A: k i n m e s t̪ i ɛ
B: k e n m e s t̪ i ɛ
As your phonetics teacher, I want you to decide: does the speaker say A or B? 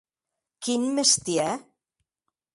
A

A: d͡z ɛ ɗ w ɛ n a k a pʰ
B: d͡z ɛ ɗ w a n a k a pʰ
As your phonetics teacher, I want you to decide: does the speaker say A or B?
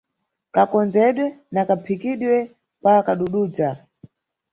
A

